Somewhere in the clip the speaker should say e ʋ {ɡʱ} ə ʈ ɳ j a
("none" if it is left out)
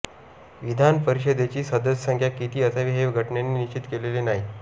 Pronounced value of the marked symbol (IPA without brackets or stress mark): ɡʱ